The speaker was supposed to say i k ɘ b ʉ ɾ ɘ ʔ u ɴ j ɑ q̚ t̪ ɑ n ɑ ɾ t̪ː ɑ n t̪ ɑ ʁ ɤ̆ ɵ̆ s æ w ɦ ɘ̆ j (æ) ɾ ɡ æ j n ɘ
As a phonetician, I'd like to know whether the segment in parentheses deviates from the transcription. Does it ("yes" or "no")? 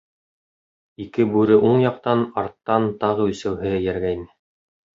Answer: no